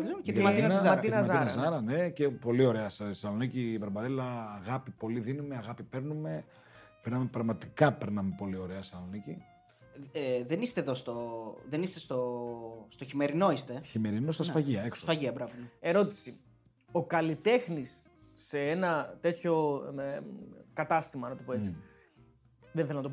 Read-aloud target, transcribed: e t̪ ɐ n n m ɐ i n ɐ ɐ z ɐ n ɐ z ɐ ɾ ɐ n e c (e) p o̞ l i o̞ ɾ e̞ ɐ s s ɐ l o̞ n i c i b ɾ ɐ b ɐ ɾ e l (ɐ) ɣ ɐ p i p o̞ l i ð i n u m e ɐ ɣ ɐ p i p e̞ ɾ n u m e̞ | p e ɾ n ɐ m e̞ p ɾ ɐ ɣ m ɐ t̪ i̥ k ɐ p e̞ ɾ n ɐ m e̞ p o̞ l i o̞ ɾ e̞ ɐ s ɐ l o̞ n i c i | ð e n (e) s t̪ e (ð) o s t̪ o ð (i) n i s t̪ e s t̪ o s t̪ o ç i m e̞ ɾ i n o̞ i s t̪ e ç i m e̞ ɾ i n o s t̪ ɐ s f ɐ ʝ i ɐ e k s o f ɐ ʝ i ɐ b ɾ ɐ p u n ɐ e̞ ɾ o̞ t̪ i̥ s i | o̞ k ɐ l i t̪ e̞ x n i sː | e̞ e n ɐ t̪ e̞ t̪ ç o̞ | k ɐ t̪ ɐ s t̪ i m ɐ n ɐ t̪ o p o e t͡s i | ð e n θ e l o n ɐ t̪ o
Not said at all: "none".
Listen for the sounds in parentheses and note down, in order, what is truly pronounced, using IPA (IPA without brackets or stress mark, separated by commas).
e, ɐː, i, ð, e